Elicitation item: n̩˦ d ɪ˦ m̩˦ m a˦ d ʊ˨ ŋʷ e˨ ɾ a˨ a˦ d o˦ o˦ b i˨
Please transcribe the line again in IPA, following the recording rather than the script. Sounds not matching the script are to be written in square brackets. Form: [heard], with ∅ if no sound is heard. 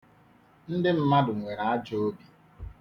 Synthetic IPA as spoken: n̩˦ d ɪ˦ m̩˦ m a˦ d ʊ˨ ŋʷ e˨ ɾ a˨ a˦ [d͡ʒ] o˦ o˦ b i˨